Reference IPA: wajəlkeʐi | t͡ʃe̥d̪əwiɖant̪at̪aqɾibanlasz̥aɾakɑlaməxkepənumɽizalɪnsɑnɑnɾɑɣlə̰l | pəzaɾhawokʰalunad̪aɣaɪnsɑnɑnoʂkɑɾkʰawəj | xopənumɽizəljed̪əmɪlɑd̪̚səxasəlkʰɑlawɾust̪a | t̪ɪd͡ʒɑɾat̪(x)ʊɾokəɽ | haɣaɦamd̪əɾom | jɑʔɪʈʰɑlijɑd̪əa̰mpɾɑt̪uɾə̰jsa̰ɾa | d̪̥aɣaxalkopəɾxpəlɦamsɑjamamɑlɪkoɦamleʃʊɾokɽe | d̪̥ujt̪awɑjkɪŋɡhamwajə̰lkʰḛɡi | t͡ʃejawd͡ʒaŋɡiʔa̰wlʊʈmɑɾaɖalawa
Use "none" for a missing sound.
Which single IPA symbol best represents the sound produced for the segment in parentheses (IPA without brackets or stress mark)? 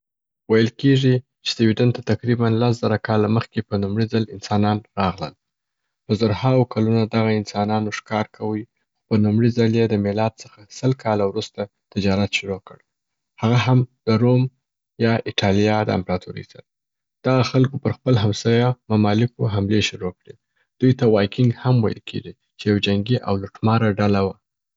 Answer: ʃ